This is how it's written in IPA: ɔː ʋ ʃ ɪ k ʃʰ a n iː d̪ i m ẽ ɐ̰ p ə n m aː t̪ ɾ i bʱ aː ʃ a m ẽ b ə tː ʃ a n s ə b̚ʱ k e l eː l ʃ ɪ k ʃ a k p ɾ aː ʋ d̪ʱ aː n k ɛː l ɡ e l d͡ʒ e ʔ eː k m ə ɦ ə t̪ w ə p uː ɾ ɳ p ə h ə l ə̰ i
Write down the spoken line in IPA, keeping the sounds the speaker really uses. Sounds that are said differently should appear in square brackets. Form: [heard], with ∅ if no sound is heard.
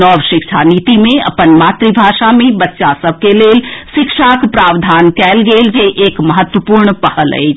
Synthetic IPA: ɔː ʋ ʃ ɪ k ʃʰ a n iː [t̪] i m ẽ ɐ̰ p ə n m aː t̪ ɾ i bʱ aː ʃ a m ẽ b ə tː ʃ a [∅] s ə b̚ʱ k e l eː l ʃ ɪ k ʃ a k p ɾ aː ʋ d̪ʱ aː n k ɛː l ɡ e l d͡ʒ e ʔ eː k m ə ɦ ə t̪ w ə p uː ɾ ɳ p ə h ə l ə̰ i